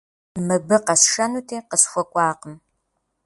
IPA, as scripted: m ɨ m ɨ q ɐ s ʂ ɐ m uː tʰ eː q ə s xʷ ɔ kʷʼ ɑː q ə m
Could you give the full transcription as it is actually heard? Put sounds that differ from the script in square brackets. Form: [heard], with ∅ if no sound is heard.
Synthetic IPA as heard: m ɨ [b] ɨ q ɐ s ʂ ɐ [n] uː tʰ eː q ə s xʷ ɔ kʷʼ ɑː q ə m